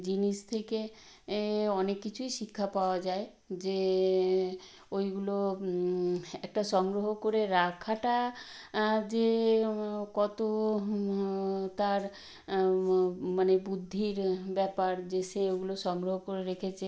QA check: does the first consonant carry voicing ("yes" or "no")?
yes